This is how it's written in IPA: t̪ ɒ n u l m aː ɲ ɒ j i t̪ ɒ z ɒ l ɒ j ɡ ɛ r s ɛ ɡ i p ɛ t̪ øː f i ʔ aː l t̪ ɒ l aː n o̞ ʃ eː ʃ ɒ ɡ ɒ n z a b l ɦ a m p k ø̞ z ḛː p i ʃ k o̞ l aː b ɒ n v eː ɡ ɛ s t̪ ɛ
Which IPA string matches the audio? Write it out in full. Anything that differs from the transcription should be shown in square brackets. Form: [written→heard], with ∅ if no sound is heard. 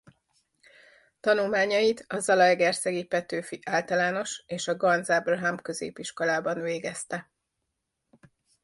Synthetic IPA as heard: t̪ ɒ n u l m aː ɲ ɒ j i t̪ ɒ z ɒ l ɒ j ɡ ɛ r s ɛ ɡ i p ɛ t̪ øː f i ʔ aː l t̪ ɒ l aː n o̞ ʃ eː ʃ ɒ ɡ ɒ n z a b l ɦ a m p k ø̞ z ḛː p i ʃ k o̞ l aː b ɒ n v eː ɡ ɛ s t̪ ɛ